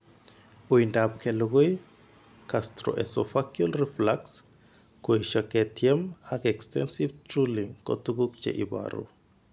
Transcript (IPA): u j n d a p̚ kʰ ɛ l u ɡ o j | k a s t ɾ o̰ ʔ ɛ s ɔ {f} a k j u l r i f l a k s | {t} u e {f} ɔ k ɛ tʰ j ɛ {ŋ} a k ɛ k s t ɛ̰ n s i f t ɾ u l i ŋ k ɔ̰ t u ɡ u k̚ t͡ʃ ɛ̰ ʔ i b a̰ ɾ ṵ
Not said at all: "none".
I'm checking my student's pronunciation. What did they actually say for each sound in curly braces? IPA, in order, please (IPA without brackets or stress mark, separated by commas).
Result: f, k, ʃ, m